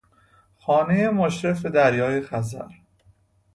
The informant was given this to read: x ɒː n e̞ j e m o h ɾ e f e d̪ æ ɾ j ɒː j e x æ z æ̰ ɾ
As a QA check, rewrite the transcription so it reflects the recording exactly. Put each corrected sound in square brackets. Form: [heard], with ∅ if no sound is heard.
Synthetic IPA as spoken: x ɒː n e̞ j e m o [ʃ] ɾ e f e d̪ æ ɾ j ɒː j e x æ z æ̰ ɾ